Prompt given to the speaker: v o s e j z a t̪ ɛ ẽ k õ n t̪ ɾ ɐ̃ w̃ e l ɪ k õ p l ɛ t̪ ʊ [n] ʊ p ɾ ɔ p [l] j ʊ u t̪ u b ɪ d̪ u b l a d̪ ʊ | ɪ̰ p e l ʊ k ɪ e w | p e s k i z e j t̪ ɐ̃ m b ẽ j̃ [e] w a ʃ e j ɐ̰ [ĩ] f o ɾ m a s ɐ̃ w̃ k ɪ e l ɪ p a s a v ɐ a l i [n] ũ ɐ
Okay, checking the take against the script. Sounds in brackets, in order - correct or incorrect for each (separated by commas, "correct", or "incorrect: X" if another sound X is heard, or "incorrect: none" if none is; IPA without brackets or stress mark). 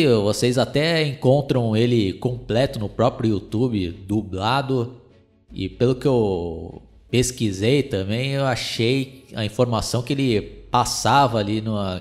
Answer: correct, incorrect: ɾ, correct, correct, correct